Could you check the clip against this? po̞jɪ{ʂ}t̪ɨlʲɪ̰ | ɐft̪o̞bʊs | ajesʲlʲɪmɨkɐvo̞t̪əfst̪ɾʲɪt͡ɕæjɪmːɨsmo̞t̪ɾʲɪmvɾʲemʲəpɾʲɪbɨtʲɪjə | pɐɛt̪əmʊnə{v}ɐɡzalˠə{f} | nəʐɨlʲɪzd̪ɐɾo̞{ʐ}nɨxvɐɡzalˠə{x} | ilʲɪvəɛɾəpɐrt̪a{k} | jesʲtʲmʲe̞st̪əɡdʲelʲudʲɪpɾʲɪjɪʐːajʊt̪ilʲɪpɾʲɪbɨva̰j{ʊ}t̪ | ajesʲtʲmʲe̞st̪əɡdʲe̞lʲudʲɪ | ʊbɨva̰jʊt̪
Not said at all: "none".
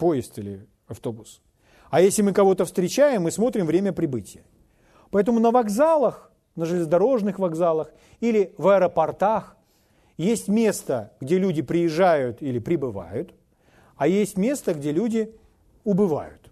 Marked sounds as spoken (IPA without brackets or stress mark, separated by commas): s, v, x, ʐ, x, x, ʊ